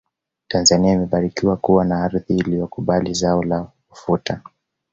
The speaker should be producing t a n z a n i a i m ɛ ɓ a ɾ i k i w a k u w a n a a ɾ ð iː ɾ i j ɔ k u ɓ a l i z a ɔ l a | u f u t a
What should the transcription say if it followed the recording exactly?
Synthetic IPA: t a n z a n i a i m ɛ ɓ a ɾ i k i w a k u w a n a a ɾ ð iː l i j ɔ k u ɓ a l i z a ɔ l a | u f u t a

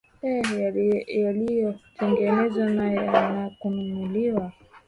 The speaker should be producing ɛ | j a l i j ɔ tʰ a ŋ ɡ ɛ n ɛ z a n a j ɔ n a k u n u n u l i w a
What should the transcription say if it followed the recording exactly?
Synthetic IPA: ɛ | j a l i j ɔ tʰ ɛ ŋ ɡ ɛ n ɛ z a n a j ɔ n a k u n u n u l i w a

